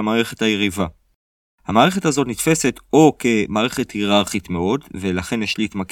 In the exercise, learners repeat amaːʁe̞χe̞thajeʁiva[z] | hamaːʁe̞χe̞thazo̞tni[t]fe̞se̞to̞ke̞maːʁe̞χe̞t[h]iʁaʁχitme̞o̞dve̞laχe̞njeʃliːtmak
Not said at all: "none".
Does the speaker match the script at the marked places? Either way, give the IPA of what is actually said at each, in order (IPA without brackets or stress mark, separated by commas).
none, t, h